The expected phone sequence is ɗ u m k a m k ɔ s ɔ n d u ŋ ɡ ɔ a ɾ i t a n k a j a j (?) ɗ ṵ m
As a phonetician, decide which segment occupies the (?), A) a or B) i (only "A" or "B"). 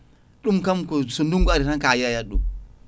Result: A